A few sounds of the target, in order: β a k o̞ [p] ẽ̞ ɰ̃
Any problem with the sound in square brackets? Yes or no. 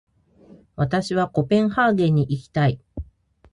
no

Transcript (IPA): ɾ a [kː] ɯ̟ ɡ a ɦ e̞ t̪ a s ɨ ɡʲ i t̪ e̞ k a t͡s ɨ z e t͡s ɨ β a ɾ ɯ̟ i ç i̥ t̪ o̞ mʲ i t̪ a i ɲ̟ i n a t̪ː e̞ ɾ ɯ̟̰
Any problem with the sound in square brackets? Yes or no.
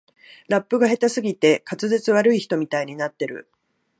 yes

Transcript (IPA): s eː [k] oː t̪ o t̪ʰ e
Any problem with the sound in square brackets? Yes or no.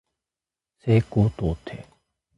no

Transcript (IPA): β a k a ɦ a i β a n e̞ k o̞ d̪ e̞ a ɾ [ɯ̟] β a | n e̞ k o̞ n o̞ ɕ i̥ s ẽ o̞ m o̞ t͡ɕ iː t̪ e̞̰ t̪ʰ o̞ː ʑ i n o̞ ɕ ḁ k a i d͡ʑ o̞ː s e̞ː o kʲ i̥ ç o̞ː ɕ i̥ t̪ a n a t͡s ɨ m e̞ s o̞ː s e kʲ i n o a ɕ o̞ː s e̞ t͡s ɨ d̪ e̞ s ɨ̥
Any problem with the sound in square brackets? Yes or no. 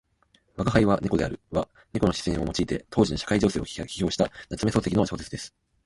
no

